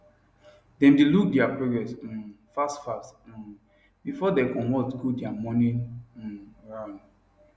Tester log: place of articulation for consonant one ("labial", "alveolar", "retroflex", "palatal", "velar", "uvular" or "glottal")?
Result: alveolar